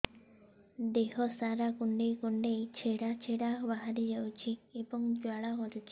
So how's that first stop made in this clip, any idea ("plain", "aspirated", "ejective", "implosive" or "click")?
plain